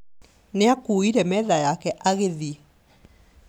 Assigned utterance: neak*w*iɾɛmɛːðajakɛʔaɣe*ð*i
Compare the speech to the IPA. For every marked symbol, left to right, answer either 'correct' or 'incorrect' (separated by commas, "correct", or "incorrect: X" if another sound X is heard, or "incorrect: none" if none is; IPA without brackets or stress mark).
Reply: incorrect: u, correct